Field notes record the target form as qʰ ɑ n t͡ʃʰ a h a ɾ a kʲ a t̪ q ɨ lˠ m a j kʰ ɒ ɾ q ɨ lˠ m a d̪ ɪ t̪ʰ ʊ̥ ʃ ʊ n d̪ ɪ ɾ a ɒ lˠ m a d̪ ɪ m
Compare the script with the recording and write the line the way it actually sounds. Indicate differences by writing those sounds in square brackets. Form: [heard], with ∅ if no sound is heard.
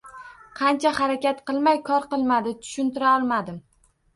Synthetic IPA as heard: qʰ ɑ n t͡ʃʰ a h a ɾ a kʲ a t̪ q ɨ lˠ m a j kʰ ɒ ɾ q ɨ lˠ m a d̪ ɪ t̪ʰ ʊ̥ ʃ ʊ n [t̪] ɪ ɾ a ɒ lˠ m a d̪ ɪ m